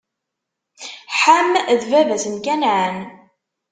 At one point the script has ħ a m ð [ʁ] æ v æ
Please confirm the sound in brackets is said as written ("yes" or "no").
no